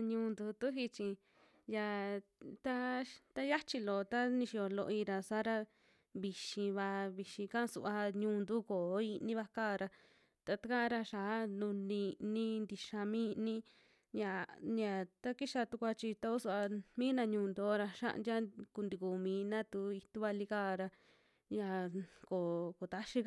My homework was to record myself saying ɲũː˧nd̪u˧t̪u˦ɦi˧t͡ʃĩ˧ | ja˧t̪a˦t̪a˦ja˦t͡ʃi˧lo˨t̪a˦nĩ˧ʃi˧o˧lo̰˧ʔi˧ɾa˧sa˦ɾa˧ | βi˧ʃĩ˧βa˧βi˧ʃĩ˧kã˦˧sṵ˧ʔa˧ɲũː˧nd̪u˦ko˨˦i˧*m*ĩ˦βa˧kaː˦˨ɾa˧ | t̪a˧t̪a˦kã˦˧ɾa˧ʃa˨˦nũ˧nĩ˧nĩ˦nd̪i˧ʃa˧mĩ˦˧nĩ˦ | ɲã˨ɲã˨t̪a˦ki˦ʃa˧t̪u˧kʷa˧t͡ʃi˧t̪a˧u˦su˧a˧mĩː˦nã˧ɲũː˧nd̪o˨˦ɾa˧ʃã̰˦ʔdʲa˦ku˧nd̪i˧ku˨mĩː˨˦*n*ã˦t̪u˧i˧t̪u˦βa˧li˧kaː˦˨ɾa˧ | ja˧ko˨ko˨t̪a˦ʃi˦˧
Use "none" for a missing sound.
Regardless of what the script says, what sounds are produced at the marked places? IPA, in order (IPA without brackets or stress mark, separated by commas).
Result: n, n